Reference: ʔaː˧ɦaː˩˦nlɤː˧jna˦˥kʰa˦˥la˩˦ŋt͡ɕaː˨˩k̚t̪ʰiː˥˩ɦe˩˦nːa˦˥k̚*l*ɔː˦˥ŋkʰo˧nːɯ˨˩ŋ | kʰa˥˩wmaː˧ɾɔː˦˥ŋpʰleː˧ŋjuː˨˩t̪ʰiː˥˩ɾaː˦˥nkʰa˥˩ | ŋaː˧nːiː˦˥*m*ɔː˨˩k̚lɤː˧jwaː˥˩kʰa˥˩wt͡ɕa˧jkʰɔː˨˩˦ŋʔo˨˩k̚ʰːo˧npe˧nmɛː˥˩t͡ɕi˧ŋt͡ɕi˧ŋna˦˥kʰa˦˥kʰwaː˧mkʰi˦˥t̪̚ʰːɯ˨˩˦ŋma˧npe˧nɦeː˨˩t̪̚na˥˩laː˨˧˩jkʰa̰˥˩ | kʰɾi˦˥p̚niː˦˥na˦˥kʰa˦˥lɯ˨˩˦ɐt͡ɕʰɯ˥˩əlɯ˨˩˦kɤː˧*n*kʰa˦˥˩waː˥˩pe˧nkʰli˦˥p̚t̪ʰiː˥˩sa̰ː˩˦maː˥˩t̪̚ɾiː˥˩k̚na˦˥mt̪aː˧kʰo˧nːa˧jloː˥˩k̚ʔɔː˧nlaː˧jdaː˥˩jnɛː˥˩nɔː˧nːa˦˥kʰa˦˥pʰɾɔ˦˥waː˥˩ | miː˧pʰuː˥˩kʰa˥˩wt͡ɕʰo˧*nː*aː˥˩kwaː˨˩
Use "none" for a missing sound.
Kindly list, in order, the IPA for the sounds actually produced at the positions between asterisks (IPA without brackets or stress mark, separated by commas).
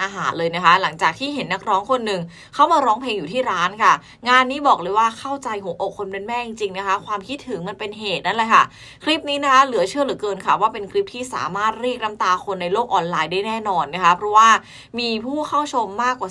ɾ, b, n, mː